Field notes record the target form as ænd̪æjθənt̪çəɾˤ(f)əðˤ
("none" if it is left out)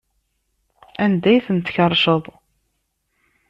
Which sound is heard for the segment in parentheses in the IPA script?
ʃ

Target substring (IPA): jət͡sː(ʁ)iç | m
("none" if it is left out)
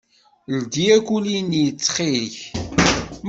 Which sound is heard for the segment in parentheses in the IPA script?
χ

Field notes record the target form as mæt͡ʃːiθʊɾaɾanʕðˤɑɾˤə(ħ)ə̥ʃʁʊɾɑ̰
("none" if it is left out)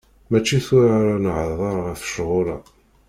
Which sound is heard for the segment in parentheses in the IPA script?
θ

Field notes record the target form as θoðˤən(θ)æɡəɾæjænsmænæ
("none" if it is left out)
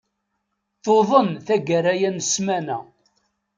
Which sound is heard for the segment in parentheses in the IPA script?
θ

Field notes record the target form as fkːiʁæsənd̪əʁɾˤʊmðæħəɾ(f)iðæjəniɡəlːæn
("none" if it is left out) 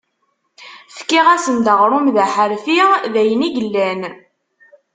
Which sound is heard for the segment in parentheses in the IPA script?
f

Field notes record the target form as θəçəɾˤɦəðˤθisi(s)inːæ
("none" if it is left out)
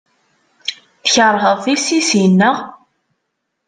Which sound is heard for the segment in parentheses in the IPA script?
s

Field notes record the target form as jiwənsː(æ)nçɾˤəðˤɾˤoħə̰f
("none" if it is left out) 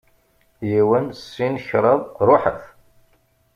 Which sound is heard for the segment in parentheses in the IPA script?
i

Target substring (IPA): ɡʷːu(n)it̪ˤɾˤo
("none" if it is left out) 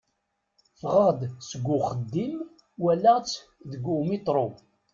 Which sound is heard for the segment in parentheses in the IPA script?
m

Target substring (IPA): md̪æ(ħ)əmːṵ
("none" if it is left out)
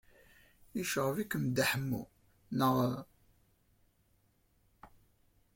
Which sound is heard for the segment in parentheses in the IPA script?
ħ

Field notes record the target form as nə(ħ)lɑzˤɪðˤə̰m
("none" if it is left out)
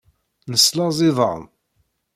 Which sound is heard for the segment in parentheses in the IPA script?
s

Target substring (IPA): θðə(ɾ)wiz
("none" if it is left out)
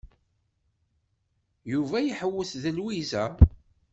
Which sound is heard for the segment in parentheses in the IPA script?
l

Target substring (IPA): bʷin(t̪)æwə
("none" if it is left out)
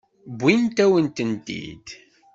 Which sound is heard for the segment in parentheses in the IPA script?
t̪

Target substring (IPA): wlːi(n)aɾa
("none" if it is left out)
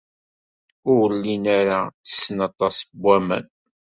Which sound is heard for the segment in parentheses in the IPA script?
n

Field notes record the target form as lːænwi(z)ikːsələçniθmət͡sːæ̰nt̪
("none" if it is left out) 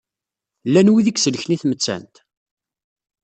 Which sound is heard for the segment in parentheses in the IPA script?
ð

